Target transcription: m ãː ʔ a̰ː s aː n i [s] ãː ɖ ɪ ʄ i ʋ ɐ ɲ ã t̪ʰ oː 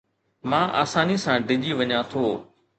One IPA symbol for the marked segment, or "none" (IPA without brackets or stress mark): s